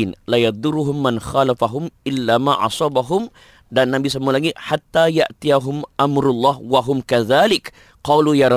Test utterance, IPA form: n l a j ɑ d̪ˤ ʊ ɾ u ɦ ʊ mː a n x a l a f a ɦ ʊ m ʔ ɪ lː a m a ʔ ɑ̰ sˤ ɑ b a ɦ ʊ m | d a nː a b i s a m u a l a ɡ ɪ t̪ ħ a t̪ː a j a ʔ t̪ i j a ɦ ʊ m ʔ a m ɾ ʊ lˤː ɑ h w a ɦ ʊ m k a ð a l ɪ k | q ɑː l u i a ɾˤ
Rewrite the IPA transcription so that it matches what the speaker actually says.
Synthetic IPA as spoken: n l a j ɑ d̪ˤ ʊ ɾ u ɦ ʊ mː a n x a l a f a ɦ ʊ m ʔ ɪ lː a m a ʔ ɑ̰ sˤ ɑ b a ɦ ʊ m | d a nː a b i s a m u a l a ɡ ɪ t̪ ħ a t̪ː a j a ʔ t̪ i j a ɦ ʊ m ʔ a m ɾ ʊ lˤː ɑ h w a ɦ ʊ m k a ð a l ɪ k | q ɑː l u j a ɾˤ